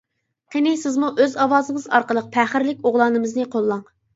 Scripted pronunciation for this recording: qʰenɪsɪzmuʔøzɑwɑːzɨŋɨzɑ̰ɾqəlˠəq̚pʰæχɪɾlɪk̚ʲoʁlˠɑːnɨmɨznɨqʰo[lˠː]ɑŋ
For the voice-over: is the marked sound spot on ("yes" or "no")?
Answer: yes